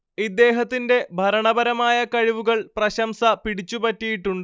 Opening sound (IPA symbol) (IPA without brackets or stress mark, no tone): i